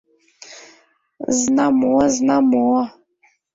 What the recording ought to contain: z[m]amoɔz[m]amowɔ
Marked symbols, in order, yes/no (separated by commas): no, no